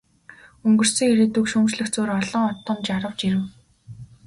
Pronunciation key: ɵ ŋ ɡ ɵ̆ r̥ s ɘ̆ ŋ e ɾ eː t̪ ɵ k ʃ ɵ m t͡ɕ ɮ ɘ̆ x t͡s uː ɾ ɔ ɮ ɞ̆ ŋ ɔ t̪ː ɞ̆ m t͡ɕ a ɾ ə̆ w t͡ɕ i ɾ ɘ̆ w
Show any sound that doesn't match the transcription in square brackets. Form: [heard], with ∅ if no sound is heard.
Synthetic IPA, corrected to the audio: ɵ ŋ ɡ ɵ̆ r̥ s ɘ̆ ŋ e ɾ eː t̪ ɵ k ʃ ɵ m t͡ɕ ɮ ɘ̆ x t͡s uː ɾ ɔ ɮ ɞ̆ ŋ ɔ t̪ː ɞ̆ m t͡ɕ a ɾ ə̆ w t͡ɕ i ɾ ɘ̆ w